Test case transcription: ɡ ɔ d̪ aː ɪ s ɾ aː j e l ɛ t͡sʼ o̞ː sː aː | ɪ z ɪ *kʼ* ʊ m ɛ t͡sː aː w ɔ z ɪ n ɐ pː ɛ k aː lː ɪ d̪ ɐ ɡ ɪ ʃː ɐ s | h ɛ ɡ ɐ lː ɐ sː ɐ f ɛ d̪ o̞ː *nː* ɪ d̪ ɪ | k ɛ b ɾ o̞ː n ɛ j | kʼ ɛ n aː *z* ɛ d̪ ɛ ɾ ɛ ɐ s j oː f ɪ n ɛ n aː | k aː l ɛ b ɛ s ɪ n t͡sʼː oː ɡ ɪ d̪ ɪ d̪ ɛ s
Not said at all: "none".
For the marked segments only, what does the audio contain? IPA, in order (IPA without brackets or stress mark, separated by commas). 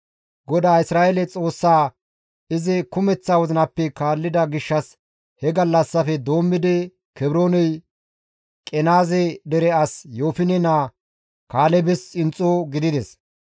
k, mː, z